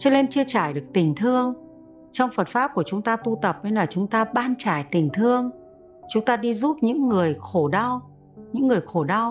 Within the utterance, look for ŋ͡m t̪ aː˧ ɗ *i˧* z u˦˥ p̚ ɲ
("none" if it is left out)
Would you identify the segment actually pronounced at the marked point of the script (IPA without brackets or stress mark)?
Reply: i˧